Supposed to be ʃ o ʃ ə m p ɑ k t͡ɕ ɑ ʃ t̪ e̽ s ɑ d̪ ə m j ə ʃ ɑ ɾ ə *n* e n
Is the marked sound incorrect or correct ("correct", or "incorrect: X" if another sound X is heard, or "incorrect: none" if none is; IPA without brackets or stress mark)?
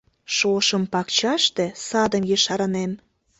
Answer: correct